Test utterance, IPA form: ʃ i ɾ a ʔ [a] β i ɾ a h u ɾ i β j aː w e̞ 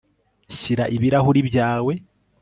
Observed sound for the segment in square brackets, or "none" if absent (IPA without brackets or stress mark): i